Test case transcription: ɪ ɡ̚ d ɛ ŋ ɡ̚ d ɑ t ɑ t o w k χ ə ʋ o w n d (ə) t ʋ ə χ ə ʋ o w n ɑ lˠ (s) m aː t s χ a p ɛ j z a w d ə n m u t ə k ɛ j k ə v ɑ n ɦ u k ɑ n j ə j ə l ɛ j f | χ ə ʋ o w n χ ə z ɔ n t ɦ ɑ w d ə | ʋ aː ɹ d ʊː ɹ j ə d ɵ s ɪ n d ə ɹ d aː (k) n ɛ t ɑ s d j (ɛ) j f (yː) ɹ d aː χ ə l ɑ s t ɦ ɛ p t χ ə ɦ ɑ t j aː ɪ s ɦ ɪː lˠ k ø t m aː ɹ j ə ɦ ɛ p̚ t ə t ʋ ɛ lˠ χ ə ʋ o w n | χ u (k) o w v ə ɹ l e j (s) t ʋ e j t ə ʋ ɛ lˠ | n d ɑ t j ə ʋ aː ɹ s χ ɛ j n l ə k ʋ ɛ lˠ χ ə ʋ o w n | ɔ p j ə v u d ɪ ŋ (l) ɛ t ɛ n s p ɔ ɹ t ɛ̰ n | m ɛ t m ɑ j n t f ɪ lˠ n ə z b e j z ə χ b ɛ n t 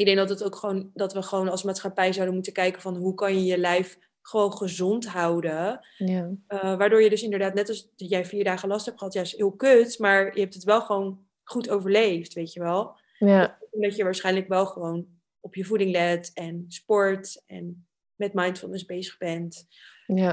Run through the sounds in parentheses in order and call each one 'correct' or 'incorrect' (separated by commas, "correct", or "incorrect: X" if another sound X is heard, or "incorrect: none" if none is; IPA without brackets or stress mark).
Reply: incorrect: ɑ, correct, incorrect: t, correct, incorrect: iː, incorrect: t, incorrect: f, correct